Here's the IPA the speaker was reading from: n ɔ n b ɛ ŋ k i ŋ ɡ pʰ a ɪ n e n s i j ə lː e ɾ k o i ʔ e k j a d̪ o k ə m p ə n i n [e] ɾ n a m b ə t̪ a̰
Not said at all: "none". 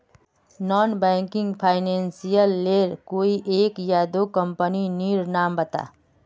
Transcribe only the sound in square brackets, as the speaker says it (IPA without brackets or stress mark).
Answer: i